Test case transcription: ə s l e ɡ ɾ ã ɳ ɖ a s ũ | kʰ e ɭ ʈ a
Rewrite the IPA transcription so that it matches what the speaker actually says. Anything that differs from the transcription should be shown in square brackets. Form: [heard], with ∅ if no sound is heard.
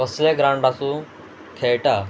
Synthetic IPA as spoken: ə s l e ɡ ɾ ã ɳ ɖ a s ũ | kʰ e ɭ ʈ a